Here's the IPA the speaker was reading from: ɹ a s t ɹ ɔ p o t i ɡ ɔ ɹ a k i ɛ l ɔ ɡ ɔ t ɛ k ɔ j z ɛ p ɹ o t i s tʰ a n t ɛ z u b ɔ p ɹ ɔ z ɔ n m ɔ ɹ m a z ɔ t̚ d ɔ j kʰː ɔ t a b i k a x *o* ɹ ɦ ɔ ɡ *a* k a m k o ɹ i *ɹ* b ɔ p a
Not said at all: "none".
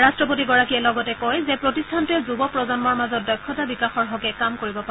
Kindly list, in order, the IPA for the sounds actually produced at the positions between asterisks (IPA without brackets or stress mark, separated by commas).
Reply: ɔ, ɛ, none